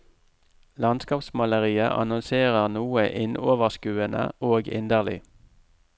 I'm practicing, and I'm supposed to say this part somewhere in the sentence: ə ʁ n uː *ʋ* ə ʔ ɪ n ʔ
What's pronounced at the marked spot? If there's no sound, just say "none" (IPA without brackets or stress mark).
none